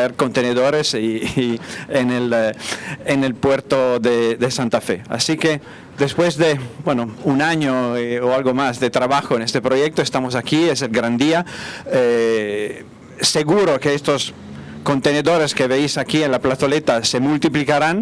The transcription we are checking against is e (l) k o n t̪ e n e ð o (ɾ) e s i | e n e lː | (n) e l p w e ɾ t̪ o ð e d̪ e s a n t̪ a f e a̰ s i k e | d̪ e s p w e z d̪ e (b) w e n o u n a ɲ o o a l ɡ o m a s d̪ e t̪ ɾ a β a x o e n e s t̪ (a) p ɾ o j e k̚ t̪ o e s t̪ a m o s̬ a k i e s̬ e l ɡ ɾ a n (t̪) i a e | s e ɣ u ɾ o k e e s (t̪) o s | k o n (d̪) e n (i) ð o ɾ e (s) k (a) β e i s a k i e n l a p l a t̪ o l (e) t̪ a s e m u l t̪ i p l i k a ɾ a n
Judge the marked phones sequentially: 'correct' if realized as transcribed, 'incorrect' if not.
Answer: incorrect: ɾ, correct, correct, correct, incorrect: e, incorrect: d̪, correct, incorrect: t̪, incorrect: e, correct, incorrect: e, correct

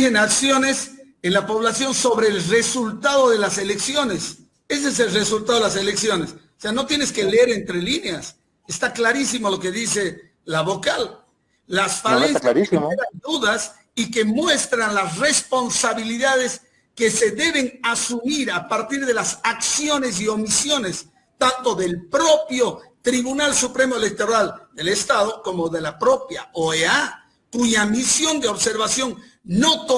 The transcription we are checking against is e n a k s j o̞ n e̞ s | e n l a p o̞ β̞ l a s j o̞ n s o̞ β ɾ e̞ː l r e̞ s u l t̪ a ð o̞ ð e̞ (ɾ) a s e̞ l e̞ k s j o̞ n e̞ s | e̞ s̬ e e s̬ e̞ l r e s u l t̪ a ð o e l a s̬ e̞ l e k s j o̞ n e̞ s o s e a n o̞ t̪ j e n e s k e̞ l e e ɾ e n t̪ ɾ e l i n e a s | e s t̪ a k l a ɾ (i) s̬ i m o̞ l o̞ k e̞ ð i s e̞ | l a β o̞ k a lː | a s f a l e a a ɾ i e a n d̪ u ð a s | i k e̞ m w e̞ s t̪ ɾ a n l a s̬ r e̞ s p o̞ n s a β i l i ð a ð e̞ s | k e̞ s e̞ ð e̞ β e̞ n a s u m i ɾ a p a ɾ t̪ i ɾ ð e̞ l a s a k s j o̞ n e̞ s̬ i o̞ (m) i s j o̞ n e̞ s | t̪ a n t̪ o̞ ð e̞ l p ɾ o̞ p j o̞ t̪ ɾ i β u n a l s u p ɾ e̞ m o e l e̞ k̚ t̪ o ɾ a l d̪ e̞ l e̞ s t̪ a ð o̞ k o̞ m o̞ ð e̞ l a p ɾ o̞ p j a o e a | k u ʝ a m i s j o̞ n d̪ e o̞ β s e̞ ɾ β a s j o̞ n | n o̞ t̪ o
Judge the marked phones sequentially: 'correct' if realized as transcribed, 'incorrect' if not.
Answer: incorrect: l, correct, correct

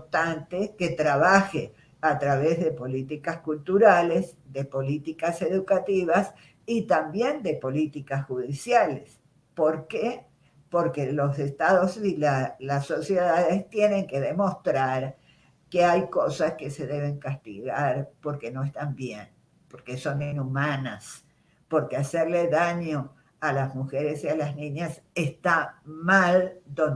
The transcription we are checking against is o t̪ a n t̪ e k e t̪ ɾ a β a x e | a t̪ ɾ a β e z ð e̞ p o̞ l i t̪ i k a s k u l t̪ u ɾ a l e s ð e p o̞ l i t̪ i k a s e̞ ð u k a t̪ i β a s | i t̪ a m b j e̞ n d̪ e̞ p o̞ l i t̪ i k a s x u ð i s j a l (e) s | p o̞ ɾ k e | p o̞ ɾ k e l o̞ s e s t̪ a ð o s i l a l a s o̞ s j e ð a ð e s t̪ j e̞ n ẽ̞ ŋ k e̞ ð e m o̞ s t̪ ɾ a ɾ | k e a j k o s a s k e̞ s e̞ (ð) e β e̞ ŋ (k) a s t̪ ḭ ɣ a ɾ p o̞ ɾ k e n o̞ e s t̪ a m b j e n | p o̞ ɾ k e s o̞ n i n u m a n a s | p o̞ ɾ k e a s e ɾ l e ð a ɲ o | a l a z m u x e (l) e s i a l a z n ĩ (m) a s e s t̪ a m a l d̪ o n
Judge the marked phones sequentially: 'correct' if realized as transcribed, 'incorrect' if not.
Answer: correct, correct, correct, incorrect: ɾ, incorrect: ɲ

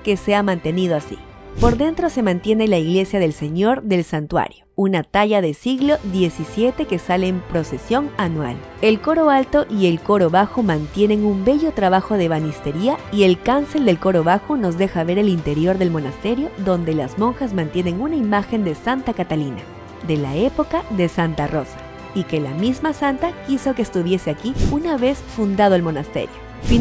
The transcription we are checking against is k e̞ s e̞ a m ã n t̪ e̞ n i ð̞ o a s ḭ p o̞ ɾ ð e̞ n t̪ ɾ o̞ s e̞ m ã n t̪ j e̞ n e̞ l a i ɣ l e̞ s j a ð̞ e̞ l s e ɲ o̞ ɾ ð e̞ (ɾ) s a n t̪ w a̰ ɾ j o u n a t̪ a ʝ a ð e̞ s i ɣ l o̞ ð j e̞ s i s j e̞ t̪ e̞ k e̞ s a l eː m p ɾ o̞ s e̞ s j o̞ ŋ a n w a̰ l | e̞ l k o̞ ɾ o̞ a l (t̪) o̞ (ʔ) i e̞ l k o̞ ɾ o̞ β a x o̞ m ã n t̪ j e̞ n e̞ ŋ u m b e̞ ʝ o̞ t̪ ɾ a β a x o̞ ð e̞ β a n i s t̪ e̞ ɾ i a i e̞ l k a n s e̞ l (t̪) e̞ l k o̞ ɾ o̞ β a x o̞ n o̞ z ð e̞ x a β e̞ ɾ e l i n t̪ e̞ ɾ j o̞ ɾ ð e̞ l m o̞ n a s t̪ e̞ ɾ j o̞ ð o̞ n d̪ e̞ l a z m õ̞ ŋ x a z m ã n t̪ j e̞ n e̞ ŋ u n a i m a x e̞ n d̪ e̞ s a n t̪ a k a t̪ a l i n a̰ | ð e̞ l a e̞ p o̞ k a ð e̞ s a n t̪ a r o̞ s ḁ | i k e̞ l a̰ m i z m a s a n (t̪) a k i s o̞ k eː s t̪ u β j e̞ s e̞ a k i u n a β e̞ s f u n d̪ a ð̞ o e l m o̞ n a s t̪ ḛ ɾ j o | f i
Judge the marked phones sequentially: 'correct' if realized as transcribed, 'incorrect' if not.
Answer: incorrect: l, correct, correct, incorrect: d̪, correct

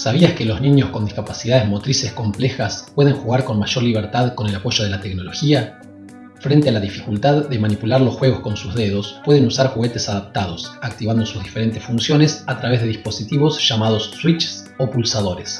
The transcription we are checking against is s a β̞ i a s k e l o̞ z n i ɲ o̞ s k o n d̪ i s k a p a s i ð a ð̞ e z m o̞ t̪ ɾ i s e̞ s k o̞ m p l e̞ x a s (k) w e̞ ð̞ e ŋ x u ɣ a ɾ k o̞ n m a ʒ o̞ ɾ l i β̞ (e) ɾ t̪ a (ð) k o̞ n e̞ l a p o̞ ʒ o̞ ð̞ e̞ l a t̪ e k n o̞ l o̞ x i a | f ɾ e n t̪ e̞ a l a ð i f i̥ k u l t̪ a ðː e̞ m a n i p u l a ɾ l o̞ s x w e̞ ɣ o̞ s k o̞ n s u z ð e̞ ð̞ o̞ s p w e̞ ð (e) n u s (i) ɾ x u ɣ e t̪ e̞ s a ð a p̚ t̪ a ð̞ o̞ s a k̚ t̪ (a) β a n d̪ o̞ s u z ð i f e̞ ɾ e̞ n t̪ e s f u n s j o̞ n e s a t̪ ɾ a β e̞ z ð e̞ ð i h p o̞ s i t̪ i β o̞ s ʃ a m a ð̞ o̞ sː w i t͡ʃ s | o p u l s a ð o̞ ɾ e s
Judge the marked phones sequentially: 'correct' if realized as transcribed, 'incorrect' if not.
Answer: incorrect: p, correct, correct, correct, incorrect: a, incorrect: i

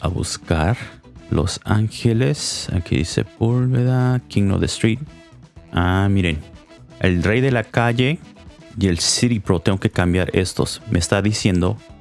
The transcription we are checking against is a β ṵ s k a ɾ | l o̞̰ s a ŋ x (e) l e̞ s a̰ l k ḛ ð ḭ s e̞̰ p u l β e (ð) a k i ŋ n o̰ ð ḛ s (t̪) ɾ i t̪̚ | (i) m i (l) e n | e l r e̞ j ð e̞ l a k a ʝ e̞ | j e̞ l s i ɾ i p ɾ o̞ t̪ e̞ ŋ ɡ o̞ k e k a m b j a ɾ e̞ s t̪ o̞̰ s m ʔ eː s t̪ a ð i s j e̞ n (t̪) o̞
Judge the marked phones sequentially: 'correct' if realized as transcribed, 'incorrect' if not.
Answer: correct, correct, correct, incorrect: a, incorrect: ɾ, incorrect: d̪

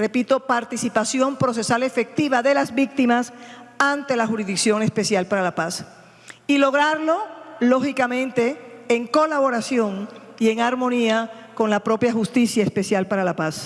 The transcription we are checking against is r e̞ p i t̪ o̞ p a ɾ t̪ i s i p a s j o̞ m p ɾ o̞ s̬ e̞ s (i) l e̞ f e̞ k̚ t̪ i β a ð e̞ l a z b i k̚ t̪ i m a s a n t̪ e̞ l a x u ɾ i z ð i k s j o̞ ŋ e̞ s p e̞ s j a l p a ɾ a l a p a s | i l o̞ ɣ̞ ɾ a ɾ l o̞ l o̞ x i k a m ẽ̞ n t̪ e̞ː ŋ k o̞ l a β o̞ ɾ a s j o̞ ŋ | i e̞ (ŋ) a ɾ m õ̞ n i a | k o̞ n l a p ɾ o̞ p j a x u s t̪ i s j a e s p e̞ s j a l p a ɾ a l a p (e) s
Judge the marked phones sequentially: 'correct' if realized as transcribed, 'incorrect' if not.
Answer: incorrect: a, correct, incorrect: a

